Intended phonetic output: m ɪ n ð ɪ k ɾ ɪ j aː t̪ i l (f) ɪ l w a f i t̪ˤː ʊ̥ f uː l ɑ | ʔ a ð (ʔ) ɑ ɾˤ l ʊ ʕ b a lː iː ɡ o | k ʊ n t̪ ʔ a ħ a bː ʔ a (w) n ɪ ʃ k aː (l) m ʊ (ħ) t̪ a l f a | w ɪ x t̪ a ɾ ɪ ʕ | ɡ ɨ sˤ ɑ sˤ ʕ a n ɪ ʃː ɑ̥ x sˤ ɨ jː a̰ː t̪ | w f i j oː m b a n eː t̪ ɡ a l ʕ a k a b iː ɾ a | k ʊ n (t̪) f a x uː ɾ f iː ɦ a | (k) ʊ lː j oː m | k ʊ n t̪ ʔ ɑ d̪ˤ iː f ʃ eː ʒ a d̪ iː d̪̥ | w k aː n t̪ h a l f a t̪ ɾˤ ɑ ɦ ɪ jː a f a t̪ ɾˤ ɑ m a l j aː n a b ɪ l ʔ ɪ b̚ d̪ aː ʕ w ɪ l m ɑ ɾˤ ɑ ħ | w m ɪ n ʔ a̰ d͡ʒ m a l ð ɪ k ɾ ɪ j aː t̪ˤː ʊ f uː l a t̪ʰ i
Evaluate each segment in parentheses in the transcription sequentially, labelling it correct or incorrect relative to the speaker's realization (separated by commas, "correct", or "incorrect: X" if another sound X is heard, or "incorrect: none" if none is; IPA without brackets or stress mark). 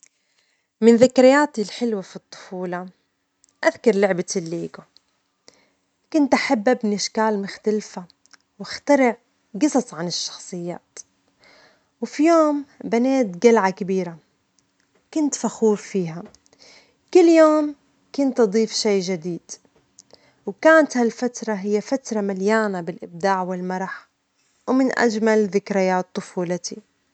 incorrect: ħ, incorrect: k, incorrect: b, correct, incorrect: x, correct, correct